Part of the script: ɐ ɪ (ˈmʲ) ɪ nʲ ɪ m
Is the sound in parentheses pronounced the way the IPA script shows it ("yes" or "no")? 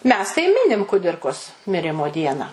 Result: yes